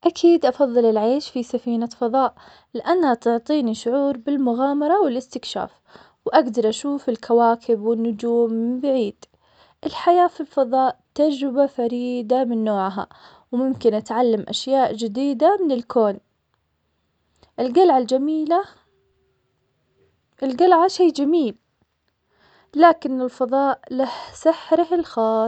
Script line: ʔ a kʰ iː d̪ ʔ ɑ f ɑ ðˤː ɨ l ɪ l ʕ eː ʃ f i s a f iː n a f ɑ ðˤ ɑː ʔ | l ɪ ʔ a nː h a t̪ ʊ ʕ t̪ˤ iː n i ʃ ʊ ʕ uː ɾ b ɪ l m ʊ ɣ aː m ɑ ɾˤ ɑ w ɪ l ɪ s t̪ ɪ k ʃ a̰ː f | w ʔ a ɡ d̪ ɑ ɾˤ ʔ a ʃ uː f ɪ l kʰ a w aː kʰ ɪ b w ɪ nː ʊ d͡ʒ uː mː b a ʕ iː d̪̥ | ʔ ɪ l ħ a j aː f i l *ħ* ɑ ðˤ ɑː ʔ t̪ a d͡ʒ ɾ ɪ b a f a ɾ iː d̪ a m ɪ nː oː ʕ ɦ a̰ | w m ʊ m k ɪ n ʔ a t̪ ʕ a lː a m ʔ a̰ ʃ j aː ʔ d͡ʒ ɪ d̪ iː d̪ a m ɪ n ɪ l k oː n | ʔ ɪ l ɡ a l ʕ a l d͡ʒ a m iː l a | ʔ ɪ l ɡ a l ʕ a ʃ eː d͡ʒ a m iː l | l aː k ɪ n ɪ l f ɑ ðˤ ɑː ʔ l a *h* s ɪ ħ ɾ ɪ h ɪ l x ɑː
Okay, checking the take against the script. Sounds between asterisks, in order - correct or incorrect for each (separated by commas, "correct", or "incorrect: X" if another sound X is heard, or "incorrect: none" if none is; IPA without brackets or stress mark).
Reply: incorrect: f, correct